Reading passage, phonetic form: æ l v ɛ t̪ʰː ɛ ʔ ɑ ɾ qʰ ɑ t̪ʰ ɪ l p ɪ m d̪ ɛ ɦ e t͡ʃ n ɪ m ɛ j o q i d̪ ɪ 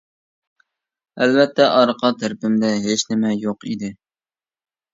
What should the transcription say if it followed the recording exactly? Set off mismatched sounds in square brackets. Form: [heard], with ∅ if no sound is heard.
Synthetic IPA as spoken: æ l v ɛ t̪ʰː ɛ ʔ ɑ ɾ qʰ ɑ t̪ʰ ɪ [ɾ] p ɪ m d̪ ɛ ɦ e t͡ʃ n ɪ m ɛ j o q i d̪ ɪ